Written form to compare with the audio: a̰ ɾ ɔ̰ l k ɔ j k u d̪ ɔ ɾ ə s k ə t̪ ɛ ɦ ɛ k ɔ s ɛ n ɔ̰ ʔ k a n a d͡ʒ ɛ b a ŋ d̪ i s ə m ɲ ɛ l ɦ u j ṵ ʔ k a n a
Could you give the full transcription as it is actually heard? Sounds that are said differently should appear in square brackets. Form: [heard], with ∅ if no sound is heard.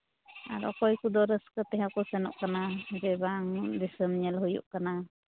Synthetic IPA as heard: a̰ ɾ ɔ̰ [∅] k ɔ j k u d̪ ɔ ɾ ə s k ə t̪ ɛ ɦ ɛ k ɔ s ɛ n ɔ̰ ʔ k a n a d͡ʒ ɛ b a ŋ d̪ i s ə m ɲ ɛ l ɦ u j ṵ ʔ k a n a